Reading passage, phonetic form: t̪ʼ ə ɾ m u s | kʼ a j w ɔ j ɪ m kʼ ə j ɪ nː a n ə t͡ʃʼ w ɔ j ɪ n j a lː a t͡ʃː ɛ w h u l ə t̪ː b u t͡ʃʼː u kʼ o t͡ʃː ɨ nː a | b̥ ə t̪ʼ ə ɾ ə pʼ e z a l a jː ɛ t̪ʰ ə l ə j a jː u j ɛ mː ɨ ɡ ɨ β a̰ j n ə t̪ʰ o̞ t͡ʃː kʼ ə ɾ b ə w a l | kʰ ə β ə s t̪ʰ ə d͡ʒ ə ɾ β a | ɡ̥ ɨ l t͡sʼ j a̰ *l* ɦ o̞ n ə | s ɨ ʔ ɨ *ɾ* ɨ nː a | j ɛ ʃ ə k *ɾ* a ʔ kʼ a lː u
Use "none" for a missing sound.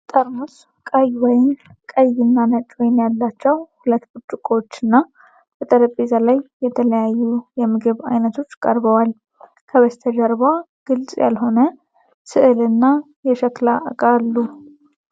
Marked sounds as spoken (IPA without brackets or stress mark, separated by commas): l, l, l